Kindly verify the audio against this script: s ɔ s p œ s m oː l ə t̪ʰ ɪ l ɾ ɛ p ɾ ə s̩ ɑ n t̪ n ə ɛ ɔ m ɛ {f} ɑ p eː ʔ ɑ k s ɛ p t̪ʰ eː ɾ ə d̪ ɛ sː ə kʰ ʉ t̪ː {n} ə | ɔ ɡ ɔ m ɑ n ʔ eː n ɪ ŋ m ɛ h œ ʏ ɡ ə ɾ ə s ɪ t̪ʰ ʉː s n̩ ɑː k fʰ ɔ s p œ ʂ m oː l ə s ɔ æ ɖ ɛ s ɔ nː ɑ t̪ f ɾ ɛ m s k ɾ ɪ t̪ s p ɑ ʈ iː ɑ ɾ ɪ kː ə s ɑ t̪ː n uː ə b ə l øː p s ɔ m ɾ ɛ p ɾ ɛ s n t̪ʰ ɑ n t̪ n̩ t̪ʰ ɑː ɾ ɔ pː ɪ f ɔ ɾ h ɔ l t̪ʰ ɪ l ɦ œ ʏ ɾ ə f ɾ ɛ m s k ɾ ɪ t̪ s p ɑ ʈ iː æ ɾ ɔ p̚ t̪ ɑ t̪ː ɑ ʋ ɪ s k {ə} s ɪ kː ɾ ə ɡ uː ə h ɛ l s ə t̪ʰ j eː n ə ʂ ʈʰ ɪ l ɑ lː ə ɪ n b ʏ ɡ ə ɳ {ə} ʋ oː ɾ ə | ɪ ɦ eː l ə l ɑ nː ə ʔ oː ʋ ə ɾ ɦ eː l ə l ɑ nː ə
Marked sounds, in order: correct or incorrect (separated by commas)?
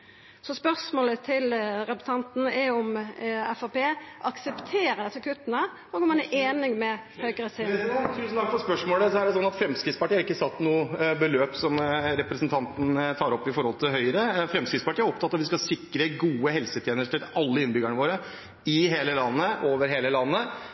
correct, correct, incorrect, correct